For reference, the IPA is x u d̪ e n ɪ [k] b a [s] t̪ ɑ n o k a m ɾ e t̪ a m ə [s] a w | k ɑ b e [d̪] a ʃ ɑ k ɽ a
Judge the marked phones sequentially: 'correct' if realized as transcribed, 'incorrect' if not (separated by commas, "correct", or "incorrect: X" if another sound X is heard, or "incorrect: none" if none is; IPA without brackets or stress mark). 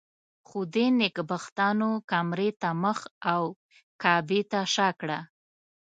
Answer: correct, incorrect: x, incorrect: x, incorrect: t̪